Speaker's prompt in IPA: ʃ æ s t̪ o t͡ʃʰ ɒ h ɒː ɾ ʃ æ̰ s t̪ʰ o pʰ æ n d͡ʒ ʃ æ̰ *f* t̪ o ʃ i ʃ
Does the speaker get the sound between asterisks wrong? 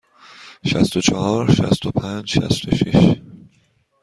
yes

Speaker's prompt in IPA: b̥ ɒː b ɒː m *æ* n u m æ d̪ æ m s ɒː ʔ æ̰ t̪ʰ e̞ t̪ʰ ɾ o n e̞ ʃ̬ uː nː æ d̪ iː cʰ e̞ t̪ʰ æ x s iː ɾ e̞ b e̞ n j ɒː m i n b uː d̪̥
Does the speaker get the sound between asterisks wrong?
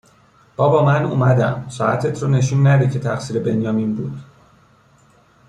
no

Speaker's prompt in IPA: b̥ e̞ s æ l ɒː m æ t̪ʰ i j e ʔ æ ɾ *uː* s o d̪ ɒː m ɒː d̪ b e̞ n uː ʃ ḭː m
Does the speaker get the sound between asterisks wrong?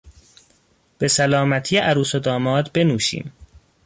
no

